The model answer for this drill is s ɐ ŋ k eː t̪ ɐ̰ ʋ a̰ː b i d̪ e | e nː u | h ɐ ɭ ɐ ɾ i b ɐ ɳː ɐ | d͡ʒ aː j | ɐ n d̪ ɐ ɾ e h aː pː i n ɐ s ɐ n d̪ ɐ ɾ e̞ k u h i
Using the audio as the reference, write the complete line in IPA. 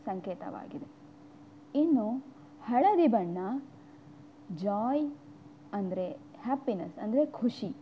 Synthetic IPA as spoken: s ɐ ŋ k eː t̪ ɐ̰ ʋ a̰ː ɡ i d̪ e | i nː u | h ɐ ɭ ɐ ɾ i b ɐ ɳː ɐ | d͡ʒ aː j | ɐ n d̪ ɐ ɾ e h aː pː i n ɐ s ɐ n d̪ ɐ ɾ e̞ kʰ u ʂ i